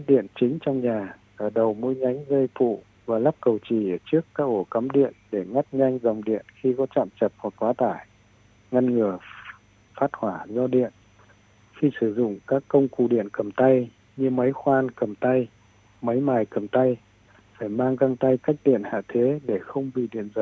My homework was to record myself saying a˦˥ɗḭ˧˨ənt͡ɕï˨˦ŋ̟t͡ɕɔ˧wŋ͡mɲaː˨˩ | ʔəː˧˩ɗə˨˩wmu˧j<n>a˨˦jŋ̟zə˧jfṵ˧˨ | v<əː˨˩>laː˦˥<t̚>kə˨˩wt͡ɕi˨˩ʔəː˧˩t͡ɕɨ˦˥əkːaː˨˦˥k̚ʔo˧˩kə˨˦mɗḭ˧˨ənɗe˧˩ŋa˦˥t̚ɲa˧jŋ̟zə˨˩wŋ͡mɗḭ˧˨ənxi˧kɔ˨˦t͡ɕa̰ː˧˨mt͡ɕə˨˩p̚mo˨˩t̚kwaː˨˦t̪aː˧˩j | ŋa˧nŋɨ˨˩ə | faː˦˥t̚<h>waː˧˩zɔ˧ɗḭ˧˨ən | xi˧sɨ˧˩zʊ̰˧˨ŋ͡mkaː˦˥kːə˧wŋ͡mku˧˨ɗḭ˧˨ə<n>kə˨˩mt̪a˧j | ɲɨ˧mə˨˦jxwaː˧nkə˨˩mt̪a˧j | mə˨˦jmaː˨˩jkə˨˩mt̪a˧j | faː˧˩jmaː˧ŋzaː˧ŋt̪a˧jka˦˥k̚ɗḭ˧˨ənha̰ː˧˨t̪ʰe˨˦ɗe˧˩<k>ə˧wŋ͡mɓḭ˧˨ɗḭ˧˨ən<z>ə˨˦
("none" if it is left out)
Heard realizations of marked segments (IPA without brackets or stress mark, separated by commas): ɲ, aː˨˩, p̚, h, n, x, z